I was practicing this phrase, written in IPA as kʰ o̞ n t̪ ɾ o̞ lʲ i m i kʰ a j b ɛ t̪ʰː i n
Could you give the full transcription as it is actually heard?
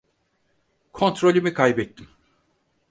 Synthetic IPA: kʰ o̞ n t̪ ɾ o̞ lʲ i m i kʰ a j b ɛ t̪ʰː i m